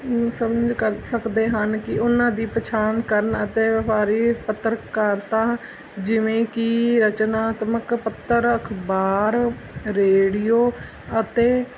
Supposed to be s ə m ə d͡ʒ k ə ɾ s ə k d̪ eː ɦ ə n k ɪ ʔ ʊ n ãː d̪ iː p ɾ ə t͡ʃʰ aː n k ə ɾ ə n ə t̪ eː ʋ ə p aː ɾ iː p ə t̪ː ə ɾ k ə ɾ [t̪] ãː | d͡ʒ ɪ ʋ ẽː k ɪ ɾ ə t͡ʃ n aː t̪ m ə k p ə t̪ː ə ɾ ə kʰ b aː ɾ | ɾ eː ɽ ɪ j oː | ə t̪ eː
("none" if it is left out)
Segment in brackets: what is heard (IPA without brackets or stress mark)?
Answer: t̪